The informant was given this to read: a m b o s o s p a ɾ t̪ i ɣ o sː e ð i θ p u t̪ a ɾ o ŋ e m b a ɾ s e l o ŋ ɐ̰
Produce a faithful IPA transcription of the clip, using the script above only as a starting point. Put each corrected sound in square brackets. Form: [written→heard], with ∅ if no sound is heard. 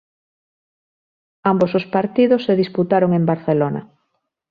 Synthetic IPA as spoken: a m b o s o s p a ɾ t̪ i [ɣ→ð] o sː e ð i [θ→s] p u t̪ a ɾ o ŋ e m b a ɾ [s→θ] e l o [ŋ→n] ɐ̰